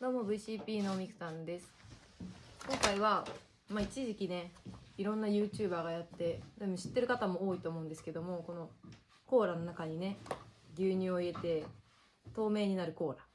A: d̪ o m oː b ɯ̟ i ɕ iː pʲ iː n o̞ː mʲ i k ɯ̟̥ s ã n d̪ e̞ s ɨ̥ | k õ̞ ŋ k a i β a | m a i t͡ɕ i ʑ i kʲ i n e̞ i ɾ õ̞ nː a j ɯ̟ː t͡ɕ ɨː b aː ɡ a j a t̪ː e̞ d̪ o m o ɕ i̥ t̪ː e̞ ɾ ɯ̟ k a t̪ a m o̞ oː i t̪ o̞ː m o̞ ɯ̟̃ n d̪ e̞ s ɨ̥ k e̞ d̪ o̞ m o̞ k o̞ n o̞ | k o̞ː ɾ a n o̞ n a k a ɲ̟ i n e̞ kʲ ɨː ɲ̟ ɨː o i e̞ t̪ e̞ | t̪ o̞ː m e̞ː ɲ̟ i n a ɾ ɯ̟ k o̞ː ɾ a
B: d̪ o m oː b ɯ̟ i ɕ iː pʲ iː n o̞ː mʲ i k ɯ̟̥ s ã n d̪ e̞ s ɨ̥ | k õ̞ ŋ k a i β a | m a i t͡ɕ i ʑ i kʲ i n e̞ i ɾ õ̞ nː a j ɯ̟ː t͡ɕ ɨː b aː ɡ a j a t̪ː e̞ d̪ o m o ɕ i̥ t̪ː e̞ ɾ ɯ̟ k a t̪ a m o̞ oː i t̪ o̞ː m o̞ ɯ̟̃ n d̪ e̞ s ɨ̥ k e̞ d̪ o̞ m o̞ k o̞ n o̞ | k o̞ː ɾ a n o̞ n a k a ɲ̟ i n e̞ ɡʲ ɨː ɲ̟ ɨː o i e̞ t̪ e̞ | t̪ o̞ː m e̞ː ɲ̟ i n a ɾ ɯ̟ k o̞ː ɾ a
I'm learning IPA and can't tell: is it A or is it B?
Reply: B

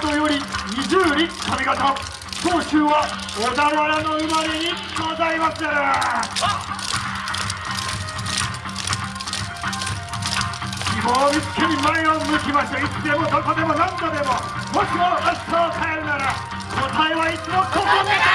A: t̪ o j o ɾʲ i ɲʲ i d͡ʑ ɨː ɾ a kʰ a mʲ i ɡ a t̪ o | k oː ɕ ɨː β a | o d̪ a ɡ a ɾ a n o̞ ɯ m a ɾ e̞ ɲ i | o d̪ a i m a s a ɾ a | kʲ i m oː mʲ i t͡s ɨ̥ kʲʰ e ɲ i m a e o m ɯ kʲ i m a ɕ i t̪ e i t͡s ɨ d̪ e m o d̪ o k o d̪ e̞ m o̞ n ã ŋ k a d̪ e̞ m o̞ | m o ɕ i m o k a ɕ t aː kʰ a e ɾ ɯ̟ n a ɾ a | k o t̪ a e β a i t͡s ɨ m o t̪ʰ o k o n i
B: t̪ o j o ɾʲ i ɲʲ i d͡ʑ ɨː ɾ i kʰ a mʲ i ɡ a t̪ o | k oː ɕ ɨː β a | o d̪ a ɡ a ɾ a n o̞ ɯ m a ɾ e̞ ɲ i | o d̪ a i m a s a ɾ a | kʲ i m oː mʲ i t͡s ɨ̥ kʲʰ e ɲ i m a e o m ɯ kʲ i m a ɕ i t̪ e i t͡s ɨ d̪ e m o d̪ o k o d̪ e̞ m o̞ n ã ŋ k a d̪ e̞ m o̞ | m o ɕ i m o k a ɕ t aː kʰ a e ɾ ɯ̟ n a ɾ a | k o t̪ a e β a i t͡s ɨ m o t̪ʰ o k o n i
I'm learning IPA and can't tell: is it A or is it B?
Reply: B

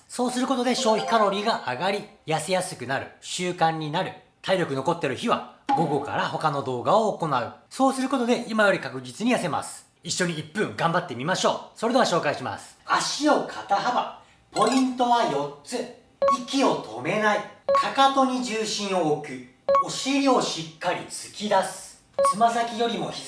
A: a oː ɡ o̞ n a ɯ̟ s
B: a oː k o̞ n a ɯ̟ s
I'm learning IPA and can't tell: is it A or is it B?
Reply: B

